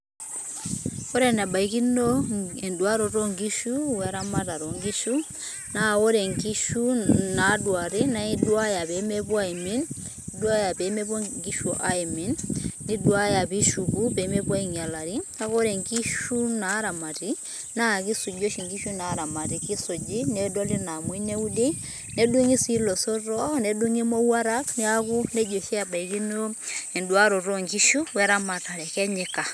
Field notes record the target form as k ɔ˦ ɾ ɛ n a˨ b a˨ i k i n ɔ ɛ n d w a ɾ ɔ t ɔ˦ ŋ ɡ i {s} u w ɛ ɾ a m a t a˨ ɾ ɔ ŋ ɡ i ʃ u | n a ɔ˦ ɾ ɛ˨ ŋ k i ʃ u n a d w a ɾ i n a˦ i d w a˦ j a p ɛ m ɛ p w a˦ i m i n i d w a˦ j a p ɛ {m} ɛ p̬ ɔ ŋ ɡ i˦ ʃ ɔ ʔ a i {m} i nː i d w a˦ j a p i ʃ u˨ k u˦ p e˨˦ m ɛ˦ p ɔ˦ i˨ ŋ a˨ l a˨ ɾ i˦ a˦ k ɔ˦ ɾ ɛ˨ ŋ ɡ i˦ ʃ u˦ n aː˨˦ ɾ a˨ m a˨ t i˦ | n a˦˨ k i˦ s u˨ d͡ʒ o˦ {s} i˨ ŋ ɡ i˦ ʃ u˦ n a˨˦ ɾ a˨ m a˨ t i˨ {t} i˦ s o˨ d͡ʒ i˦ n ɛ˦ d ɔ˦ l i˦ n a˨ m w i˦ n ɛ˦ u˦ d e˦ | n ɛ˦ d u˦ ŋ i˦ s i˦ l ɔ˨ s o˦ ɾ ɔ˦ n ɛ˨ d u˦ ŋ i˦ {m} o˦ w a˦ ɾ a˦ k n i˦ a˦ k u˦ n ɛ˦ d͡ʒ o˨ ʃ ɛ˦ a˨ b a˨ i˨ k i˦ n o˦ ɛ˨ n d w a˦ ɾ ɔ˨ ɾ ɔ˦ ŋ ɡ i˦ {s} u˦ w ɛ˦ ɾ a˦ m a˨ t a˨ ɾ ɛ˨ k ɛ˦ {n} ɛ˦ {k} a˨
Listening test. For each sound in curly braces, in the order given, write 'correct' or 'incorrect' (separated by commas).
incorrect, correct, correct, incorrect, incorrect, correct, incorrect, incorrect, correct